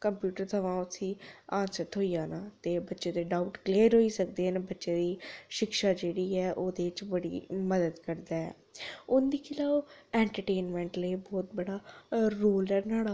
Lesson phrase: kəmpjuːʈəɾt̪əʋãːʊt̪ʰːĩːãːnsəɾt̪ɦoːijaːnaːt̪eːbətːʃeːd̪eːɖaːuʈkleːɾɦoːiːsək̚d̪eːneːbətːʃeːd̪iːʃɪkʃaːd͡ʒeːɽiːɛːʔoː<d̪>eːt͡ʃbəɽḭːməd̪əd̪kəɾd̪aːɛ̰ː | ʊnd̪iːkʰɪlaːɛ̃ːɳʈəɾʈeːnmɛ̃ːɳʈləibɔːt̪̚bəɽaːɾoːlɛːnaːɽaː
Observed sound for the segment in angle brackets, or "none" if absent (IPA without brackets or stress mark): d̪